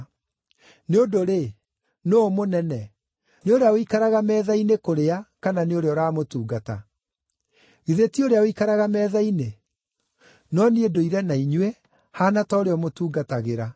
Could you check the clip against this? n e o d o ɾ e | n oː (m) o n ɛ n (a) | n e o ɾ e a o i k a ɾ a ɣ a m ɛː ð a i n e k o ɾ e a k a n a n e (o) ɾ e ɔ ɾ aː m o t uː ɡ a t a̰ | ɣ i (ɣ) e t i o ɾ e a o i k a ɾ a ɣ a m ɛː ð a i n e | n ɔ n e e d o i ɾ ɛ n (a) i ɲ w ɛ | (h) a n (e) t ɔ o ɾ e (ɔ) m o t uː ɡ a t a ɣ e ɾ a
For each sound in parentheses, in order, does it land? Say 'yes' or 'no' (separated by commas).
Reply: yes, no, yes, no, yes, yes, no, yes